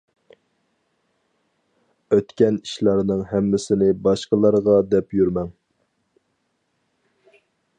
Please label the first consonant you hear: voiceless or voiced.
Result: voiceless